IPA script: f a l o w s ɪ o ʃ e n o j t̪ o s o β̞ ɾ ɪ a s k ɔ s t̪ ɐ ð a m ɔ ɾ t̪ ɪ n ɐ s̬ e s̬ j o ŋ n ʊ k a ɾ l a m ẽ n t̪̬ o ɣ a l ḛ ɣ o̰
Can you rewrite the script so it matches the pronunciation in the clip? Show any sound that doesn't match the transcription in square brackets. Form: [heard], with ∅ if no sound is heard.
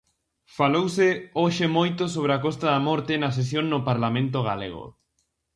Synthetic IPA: f a l o w s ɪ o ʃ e [m] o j t̪ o s o β̞ ɾ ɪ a [∅] k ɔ s t̪ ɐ ð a m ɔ ɾ t̪ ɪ n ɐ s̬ e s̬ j o ŋ n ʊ [p] a ɾ l a m ẽ n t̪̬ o ɣ a l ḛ ɣ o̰

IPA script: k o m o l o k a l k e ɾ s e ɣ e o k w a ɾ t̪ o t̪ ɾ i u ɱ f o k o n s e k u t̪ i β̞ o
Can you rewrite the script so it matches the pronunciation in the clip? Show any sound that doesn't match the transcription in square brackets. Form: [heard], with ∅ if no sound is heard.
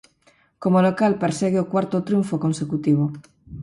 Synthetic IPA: k o m o l o k a l [p] e ɾ s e ɣ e o k w a ɾ t̪ o t̪ ɾ [j] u ɱ f o k o n s e k u t̪ i β̞ o

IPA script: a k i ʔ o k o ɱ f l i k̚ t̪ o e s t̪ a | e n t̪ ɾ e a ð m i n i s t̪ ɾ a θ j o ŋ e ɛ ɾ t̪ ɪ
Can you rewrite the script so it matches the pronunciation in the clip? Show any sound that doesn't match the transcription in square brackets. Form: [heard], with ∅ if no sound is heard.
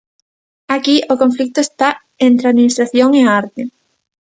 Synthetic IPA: a k i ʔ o k o ɱ f l i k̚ t̪ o e s t̪ a | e n t̪ ɾ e a ð m i n i s t̪ ɾ a θ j o ŋ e [a] ɾ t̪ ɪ

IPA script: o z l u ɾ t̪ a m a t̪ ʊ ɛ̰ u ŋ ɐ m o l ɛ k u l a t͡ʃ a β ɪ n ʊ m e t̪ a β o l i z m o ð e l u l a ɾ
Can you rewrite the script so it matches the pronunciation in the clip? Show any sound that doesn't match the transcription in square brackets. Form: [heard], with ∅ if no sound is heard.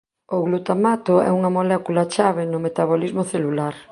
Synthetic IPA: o [ɣ] l u [∅] t̪ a m a t̪ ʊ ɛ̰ u ŋ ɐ m o l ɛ k u l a t͡ʃ a β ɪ n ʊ m e t̪ a β o l i z m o [θ] e l u l a ɾ

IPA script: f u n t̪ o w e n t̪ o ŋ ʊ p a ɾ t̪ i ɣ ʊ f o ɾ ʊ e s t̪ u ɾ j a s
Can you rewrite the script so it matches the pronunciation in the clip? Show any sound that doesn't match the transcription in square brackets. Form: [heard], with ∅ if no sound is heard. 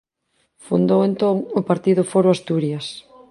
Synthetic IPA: f u n [d̪] o w e n t̪ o ŋ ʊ p a ɾ t̪ i [ð] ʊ f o ɾ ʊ [a] s t̪ u ɾ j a s

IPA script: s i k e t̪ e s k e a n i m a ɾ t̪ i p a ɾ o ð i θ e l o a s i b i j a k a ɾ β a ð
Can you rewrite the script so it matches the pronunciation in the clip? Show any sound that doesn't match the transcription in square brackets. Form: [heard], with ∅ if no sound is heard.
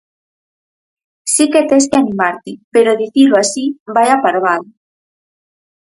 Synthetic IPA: s i k e t̪ e s k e a n i m a ɾ t̪ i p [e] ɾ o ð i θ [i] l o a s i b [a] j a [p] a ɾ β a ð

